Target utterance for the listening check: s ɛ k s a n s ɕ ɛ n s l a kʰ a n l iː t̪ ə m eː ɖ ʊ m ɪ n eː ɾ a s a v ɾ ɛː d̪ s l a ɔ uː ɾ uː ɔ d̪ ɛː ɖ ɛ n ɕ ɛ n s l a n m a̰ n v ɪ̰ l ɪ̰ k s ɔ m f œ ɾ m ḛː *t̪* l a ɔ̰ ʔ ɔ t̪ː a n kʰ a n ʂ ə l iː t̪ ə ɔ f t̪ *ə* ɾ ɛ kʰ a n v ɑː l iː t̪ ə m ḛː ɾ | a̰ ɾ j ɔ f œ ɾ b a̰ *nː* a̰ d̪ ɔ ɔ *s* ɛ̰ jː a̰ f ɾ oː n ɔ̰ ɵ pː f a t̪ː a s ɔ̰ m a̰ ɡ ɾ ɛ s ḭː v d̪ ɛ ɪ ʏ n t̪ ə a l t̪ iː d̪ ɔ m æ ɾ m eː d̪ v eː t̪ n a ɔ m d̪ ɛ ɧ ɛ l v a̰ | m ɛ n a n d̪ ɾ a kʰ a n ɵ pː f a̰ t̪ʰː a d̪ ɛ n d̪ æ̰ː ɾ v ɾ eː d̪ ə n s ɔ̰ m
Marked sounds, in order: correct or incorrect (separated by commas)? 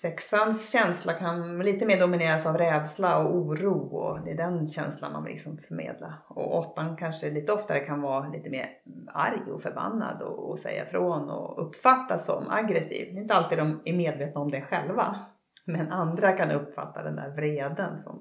incorrect, incorrect, correct, correct